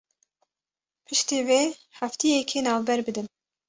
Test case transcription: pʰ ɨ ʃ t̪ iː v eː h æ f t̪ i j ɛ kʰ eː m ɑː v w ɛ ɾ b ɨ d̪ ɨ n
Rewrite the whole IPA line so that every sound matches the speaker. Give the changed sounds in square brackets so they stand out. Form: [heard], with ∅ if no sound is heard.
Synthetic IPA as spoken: pʰ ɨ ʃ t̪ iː v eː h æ f t̪ i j ɛ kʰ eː [n] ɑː v [b] ɛ ɾ b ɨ d̪ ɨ n